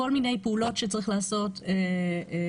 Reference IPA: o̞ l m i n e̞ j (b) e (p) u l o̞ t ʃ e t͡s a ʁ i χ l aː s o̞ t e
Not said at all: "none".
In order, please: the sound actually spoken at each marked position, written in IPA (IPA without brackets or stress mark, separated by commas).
p, none